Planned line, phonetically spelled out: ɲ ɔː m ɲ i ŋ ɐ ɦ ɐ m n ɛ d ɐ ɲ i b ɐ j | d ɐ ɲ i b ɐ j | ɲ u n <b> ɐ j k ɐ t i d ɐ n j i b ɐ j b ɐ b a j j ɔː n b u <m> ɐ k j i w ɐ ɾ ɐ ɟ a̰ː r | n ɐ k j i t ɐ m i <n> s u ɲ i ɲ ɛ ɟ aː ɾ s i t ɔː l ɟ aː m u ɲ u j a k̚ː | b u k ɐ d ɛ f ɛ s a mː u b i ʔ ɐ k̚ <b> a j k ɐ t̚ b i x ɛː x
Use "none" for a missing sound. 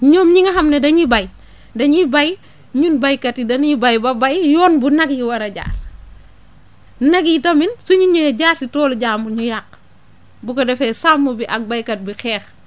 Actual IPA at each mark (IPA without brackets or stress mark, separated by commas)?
b, n, n, b